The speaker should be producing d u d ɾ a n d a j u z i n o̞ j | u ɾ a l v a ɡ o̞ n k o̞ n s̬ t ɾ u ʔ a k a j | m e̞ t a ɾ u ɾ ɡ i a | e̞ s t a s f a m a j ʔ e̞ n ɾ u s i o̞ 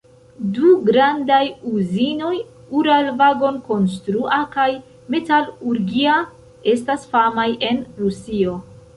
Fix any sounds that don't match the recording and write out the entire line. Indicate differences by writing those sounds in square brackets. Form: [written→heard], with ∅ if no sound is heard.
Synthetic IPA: d u [d→ɡ] ɾ a n d a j u z i n o̞ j | u ɾ a l v a ɡ o̞ n k o̞ n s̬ t ɾ u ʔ a k a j | m e̞ t a [ɾ→l] u ɾ ɡ i a | e̞ s t a s f a m a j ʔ e̞ n ɾ u s i o̞